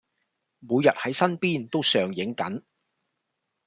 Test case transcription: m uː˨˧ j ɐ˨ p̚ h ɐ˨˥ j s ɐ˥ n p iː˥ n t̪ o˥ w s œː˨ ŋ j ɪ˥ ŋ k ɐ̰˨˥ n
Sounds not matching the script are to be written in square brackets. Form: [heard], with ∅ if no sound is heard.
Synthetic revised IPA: m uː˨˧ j ɐ˨ [t̚] h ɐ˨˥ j s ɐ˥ n p iː˥ n t̪ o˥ w s œː˨ ŋ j [ɪ˨˥] ŋ k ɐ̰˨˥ n